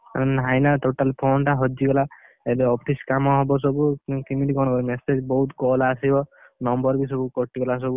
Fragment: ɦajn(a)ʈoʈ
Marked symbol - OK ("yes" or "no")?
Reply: yes